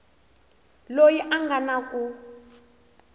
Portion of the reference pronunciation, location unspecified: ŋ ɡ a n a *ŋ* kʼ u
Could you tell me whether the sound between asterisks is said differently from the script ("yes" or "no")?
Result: yes